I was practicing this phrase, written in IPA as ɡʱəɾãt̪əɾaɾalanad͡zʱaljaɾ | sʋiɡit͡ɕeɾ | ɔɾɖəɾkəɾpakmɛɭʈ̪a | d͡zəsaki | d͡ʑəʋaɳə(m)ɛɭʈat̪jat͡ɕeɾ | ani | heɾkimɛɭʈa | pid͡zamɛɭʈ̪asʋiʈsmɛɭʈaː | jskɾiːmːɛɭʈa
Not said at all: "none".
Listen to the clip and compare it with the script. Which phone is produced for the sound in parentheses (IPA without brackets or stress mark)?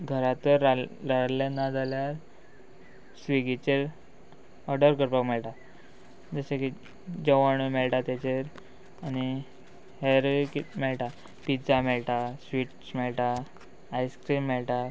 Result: m